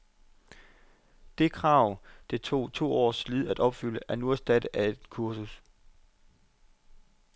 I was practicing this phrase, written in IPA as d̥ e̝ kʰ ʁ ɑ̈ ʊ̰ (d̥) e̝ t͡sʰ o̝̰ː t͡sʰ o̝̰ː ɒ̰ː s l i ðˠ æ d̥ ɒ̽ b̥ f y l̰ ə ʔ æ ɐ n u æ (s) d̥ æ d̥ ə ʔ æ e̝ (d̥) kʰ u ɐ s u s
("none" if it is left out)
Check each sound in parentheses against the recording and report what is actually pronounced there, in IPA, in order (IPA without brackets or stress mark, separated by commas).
d̥, s, d̥